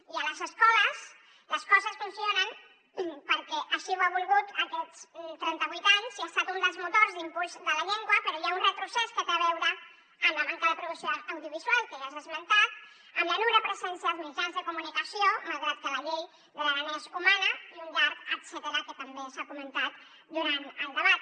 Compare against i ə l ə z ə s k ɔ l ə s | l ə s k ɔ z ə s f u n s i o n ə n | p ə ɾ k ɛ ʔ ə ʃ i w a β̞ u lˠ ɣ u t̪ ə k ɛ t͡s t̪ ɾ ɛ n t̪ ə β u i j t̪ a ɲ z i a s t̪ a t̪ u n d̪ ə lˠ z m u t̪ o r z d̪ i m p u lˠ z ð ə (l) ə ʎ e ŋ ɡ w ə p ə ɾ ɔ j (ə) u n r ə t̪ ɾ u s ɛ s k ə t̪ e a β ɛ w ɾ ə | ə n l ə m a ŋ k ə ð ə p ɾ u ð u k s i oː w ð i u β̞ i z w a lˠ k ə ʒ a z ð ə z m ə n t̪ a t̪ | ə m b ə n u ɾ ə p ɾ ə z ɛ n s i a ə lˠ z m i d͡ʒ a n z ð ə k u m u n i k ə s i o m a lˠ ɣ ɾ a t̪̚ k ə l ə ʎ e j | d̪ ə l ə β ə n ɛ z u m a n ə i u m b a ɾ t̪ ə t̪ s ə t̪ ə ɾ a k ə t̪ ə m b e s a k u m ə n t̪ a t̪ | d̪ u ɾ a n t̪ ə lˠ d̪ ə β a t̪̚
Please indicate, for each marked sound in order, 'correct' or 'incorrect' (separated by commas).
correct, incorrect